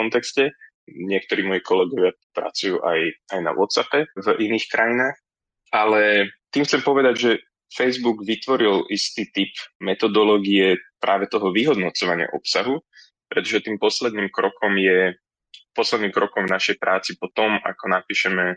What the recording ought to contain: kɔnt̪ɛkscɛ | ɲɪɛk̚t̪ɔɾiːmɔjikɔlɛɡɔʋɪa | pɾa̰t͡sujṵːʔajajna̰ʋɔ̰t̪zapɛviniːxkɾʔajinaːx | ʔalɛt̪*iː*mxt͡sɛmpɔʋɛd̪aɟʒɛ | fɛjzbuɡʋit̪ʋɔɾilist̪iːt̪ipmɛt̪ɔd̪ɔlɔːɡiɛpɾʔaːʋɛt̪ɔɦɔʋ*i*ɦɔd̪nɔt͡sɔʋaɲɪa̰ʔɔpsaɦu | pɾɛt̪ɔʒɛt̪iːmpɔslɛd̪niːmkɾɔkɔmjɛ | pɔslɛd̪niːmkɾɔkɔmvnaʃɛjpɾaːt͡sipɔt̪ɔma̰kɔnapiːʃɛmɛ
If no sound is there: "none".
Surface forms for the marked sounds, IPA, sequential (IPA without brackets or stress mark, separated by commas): iː, i